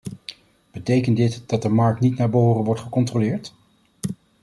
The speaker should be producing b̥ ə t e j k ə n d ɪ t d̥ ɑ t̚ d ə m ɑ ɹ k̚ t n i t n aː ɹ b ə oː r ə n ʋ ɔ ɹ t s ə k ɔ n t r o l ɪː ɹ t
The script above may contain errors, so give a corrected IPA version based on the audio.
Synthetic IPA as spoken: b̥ ə t e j k ə n d ɪ t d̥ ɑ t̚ d ə m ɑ ɹ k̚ t n i t n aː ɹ b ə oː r ə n ʋ ɔ ɹ t χ ə k ɔ n t r o l ɪː ɹ t